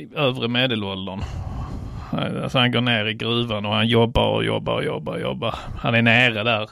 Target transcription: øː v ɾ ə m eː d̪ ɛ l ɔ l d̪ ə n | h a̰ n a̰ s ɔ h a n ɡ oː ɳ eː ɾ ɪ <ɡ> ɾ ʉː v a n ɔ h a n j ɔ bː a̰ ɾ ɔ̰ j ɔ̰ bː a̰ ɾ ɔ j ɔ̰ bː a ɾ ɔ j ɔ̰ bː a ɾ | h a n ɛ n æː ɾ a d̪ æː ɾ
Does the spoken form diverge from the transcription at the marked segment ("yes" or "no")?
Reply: no